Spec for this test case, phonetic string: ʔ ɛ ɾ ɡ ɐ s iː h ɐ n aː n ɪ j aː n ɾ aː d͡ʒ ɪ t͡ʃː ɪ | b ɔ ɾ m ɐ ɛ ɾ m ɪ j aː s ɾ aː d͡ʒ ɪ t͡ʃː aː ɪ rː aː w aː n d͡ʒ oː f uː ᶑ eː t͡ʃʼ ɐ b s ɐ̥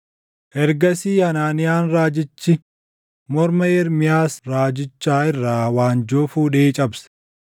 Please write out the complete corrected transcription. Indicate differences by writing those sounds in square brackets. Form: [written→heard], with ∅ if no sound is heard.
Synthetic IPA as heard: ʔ ɛ ɾ ɡ ɐ s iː h ɐ n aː n ɪ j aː n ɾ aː d͡ʒ ɪ t͡ʃː ɪ | [b→m] ɔ ɾ m ɐ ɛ ɾ m ɪ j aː s ɾ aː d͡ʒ ɪ t͡ʃː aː ɪ rː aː w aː n d͡ʒ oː f uː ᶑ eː t͡ʃʼ ɐ b s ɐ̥